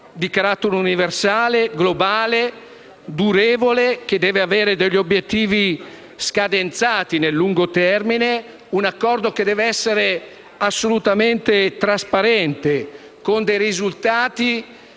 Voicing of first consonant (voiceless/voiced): voiced